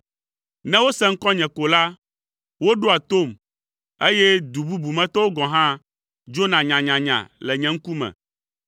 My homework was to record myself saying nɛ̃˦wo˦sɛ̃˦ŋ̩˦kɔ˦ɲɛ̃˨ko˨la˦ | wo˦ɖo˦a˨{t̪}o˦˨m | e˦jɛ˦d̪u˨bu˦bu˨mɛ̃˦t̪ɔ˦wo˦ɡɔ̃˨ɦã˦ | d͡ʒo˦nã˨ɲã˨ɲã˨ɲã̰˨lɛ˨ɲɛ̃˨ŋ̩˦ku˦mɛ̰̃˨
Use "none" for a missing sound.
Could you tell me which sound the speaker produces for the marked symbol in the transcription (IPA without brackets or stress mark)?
t̪